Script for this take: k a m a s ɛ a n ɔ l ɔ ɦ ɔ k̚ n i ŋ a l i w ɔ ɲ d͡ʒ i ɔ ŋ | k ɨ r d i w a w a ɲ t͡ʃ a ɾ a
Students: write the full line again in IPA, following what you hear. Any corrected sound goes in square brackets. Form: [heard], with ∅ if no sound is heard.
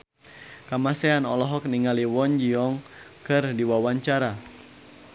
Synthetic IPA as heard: k a m a s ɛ a n ɔ l ɔ ɦ ɔ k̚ n i ŋ a l i w ɔ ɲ d͡ʒ i ɔ ŋ | k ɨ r d i w a w a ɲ t͡ʃ a ɾ a